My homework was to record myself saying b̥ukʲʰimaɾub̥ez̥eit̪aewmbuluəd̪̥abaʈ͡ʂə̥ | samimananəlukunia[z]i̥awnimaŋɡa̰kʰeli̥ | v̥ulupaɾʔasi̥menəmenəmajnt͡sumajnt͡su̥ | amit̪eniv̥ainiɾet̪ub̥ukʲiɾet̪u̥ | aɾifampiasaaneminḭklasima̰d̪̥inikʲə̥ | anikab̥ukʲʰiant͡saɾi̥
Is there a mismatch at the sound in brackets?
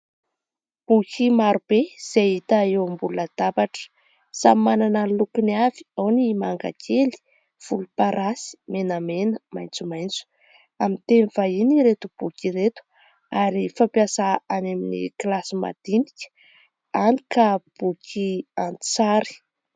yes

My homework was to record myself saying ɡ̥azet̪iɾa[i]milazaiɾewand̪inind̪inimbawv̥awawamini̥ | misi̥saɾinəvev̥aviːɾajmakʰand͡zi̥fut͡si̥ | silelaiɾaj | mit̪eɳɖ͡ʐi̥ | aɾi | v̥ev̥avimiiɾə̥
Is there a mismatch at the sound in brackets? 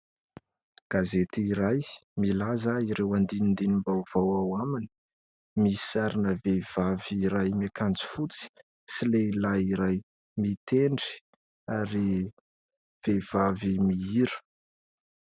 yes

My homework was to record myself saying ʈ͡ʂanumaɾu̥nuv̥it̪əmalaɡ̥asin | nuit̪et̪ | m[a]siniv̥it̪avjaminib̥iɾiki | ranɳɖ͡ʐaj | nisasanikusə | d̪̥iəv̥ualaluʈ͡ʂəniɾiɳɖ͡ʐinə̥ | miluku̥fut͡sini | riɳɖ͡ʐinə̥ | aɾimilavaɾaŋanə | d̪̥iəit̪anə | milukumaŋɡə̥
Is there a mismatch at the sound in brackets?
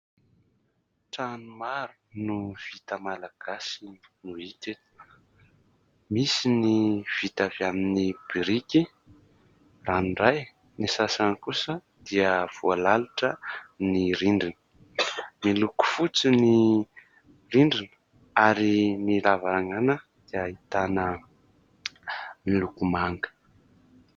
yes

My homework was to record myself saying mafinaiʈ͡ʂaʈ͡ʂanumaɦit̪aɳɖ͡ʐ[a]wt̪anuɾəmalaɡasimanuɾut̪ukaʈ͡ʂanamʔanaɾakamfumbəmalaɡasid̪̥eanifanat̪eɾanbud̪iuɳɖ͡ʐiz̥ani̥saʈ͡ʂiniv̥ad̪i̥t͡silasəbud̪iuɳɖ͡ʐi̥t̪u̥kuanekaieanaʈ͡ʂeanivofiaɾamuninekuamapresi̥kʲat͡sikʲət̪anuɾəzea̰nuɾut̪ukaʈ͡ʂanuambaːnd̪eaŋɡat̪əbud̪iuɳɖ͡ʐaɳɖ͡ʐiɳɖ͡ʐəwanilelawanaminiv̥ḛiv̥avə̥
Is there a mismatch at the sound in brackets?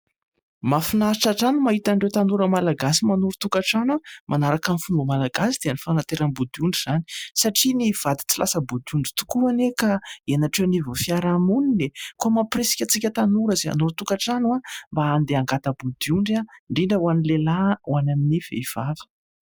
yes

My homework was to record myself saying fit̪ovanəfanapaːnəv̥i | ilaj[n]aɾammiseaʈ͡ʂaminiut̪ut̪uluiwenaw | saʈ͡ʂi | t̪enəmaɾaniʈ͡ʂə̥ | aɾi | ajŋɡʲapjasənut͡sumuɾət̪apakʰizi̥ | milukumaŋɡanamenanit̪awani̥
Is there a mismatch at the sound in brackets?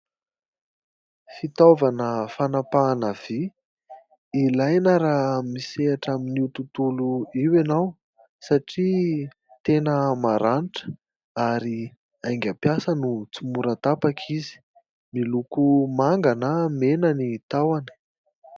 no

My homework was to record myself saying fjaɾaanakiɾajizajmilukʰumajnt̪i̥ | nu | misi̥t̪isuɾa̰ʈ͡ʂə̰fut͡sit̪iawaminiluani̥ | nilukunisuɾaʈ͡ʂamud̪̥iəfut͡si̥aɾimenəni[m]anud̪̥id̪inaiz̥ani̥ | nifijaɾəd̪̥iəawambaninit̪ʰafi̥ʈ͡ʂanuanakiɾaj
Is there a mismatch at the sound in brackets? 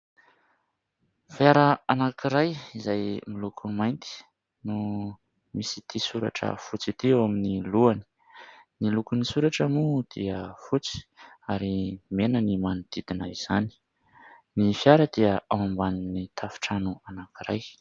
no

